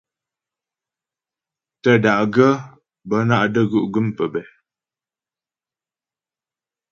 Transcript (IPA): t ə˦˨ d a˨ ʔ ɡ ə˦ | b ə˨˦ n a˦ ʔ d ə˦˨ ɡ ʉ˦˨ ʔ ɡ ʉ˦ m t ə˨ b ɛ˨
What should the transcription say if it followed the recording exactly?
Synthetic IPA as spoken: t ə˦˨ d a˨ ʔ ɡ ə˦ | b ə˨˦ n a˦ ʔ d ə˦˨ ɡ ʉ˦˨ ʔ ɡ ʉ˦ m p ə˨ b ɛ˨